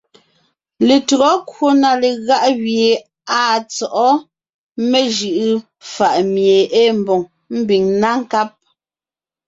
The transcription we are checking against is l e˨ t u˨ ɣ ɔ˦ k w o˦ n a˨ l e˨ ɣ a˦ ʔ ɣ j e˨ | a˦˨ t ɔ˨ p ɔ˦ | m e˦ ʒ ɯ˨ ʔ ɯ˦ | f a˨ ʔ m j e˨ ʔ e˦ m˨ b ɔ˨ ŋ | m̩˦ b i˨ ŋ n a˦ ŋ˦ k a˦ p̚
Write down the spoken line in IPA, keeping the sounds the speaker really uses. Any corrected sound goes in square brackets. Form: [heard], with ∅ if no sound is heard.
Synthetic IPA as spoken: l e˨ t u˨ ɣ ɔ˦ k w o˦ n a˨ l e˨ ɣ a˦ ʔ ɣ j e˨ | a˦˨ [t͡s] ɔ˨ [ʔ] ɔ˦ | m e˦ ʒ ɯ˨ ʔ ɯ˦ | f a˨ ʔ m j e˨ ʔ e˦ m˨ b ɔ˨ ŋ | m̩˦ b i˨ ŋ n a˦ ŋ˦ k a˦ p̚